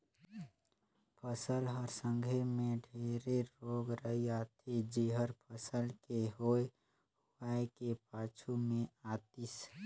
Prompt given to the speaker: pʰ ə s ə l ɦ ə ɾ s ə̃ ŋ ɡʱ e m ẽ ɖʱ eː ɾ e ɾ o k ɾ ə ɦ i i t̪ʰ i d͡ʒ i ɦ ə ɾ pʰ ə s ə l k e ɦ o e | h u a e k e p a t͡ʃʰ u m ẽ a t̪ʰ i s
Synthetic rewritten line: pʰ ə s ə l ɦ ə ɾ s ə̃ ŋ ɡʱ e m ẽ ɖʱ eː ɾ e ɾ o ɡ ɾ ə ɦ i a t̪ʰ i d͡ʒ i ɦ ə ɾ pʰ ə s ə l k e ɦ o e | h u a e k e p a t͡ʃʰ u m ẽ a t̪ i s